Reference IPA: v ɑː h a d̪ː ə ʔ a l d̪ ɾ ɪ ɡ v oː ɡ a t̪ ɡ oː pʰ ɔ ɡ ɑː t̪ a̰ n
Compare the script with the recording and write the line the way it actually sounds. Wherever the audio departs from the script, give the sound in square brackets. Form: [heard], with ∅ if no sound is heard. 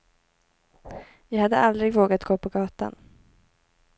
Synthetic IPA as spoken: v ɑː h a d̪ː ə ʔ a l d̪ ɾ ɪ ɡ v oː ɡ a t̪ ɡ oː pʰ ɔ ɡ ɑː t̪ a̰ n